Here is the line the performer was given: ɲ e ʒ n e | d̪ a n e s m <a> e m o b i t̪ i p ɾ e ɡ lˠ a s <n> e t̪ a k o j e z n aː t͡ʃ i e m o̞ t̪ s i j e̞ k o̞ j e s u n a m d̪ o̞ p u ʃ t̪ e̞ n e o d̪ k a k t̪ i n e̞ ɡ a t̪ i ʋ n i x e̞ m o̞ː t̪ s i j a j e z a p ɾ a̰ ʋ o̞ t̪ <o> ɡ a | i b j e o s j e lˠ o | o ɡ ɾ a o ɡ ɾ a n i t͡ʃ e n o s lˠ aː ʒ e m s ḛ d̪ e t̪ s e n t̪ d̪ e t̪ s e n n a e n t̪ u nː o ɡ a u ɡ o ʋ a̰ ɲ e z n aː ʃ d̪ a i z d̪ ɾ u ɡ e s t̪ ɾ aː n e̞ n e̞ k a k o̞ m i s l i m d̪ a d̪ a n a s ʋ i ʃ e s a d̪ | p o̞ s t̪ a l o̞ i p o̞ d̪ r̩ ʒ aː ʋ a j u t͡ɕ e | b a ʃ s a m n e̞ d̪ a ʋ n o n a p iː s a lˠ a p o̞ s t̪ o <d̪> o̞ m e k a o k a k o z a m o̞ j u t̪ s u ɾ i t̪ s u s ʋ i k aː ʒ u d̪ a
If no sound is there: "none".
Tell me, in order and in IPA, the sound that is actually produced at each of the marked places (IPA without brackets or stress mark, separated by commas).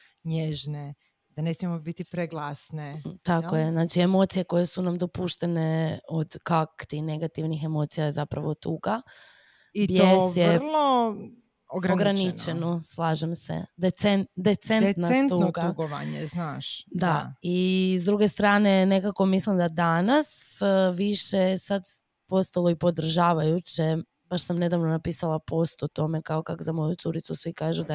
i, n, u, t̪